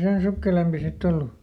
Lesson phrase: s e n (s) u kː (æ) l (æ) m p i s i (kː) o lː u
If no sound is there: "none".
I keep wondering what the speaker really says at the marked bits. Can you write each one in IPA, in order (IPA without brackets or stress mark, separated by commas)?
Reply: s, e, e, tː